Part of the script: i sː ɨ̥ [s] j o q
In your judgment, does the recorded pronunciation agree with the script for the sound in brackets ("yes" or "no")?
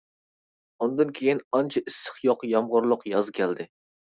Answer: no